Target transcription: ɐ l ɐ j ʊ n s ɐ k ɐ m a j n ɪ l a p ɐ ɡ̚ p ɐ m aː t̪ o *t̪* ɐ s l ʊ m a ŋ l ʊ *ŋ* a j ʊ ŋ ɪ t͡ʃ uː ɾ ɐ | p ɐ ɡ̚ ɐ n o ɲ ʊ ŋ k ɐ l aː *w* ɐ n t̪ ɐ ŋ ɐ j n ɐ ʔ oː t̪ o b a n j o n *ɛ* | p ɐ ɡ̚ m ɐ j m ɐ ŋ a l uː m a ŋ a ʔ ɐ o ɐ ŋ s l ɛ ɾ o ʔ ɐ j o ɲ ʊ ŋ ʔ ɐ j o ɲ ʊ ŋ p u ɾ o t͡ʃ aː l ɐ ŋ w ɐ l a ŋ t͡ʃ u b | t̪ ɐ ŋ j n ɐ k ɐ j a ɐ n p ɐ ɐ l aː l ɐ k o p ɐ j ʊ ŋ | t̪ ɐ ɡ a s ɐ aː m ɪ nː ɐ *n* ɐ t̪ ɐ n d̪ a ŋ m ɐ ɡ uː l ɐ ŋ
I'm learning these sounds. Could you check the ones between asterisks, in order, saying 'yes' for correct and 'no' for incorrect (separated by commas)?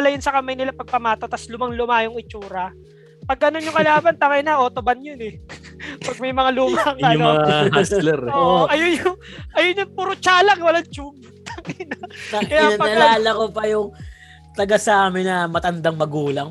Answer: yes, no, no, yes, no